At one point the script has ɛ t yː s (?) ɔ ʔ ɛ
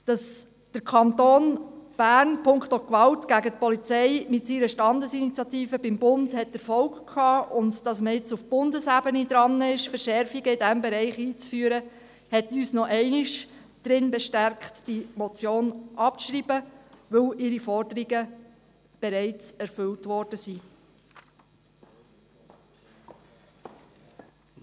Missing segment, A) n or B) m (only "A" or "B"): A